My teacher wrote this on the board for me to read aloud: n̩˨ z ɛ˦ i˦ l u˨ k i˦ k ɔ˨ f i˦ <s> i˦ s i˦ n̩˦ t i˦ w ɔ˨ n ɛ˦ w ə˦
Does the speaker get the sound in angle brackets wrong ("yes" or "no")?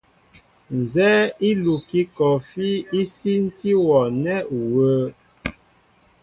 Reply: yes